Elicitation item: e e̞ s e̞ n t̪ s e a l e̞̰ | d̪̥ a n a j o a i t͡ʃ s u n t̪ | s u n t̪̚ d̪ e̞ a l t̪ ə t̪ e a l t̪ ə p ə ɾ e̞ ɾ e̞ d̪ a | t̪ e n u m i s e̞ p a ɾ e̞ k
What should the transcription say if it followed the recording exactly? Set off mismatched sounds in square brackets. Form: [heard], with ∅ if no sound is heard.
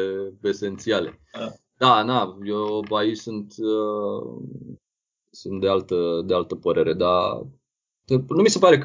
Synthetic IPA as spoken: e e̞ s e̞ n t̪ s [i] a l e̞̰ | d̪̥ a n a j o a i t͡ʃ s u n t̪ | s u n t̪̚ d̪ e̞ a l t̪ ə [d̪] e a l t̪ ə p ə ɾ e̞ ɾ e̞ d̪ a | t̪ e n u m i s e̞ p a ɾ e̞ k